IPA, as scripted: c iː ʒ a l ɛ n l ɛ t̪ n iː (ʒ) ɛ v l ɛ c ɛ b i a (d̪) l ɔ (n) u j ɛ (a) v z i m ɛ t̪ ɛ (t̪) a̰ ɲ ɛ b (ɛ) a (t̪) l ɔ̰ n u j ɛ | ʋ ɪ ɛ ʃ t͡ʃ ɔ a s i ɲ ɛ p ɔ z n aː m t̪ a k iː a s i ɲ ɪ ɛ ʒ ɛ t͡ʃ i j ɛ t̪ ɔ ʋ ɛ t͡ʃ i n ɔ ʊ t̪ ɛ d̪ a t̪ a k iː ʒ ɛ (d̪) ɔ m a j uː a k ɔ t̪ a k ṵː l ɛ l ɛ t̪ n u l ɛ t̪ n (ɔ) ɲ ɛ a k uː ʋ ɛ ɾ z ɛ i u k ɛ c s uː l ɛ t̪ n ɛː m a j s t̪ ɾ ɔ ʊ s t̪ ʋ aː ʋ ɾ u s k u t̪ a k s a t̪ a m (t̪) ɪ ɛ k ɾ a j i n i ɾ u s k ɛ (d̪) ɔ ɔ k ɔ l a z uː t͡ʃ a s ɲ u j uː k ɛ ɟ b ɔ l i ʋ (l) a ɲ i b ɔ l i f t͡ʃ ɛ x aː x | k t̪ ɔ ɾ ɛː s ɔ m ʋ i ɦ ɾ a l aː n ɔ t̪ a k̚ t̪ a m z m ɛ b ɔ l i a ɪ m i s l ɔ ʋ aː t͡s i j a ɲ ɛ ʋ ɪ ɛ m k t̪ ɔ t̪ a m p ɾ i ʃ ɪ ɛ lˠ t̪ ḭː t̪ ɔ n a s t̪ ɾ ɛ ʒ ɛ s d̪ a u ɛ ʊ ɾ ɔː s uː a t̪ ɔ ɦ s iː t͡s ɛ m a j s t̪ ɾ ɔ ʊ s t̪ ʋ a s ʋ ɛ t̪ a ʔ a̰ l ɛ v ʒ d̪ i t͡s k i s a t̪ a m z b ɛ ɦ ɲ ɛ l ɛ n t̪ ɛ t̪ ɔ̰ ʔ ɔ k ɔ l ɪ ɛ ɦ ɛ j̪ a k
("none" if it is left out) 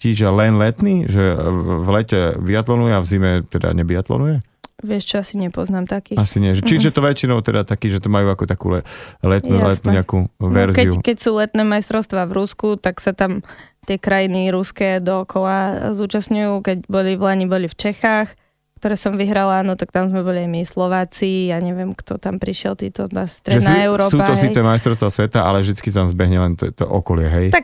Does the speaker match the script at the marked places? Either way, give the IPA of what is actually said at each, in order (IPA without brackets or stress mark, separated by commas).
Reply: ʒ, t̪, n, a, d̪, i, t̪, t̪, u, t̪, d̪, l